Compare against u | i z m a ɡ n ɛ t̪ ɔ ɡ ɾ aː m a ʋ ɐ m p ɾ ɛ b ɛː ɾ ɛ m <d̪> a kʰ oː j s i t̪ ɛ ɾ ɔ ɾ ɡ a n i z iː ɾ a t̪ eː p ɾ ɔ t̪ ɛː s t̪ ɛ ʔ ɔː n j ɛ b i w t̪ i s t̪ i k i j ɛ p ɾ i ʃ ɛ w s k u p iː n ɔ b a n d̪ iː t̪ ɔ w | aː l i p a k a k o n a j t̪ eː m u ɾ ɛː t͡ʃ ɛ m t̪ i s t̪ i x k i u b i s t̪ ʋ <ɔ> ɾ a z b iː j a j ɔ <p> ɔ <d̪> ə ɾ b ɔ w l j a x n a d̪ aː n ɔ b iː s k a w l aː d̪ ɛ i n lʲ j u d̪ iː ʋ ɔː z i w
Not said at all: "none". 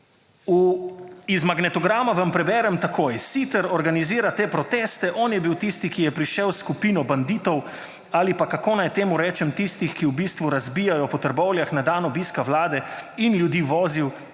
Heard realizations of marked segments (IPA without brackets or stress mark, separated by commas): t̪, u, p, t̪